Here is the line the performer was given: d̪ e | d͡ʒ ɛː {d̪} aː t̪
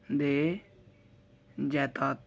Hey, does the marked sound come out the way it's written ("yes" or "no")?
no